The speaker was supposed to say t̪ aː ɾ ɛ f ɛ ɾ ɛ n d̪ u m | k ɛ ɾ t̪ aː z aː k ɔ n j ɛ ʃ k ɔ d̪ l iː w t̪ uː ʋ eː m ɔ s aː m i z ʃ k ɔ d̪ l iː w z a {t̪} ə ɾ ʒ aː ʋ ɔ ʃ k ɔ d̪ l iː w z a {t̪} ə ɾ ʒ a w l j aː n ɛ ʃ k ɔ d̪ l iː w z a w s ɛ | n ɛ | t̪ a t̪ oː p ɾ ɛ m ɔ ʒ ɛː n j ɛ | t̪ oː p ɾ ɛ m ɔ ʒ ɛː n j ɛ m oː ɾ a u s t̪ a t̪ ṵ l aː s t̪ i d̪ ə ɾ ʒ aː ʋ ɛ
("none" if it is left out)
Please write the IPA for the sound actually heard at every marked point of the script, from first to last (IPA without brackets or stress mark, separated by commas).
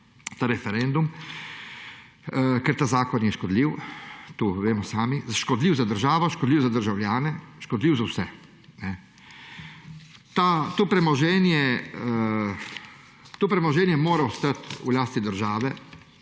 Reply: d̪, d̪